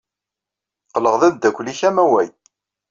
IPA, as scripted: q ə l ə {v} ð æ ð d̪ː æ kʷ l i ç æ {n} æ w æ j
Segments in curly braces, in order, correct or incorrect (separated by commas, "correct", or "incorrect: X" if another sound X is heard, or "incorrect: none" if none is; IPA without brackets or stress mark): incorrect: ʁ, incorrect: m